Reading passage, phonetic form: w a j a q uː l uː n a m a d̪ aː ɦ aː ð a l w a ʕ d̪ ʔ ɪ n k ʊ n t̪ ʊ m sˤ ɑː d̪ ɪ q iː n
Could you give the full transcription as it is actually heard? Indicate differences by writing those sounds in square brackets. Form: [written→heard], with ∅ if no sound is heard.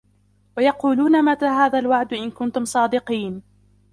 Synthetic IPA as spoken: w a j [a→ɑ] q uː l uː n a m a [d̪→t̪] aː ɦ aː ð a l w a ʕ d̪ ʔ ɪ n k ʊ n t̪ ʊ m sˤ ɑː d̪ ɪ q iː n